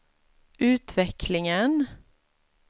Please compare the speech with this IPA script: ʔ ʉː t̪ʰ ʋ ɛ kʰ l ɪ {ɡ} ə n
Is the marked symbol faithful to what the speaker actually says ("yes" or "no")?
no